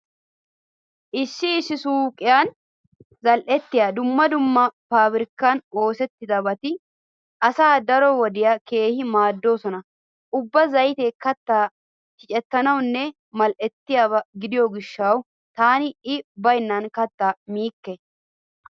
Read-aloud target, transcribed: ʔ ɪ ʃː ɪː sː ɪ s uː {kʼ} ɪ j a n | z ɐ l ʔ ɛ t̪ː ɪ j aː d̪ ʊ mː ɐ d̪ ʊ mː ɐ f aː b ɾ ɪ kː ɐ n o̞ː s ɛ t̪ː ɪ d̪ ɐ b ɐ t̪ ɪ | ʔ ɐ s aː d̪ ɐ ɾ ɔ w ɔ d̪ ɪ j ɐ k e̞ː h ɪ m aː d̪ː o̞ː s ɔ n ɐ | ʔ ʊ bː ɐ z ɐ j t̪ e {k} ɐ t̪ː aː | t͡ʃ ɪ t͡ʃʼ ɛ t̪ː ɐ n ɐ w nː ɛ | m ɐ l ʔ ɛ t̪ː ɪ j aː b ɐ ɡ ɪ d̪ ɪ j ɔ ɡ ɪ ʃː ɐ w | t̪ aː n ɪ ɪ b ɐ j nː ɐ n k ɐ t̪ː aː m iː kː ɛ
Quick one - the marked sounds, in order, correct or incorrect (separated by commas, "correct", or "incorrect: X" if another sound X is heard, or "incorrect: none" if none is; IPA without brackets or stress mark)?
correct, correct